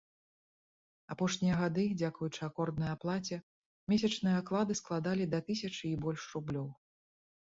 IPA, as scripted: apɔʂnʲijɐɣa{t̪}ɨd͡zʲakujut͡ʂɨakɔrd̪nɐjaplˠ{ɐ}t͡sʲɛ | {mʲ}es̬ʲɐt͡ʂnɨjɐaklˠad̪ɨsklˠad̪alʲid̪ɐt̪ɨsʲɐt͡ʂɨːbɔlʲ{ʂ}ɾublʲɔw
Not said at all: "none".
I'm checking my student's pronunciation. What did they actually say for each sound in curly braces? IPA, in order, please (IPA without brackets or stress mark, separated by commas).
d̪, a, mʲ, ʂ